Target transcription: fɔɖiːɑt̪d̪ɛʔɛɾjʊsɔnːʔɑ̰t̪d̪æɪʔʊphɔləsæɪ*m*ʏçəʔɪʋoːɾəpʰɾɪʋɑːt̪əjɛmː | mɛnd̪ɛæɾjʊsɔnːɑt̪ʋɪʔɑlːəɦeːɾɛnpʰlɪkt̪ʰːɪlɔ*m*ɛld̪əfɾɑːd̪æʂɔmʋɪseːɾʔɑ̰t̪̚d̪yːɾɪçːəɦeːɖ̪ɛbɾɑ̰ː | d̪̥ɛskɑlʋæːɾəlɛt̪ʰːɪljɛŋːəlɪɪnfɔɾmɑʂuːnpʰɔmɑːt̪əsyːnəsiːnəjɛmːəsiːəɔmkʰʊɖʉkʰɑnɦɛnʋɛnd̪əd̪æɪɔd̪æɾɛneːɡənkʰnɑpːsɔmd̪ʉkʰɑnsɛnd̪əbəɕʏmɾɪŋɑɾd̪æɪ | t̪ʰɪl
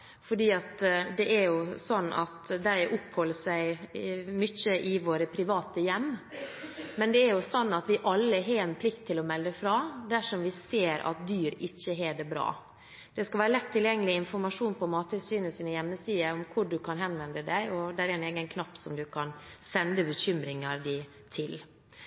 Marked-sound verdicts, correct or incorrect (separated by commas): correct, correct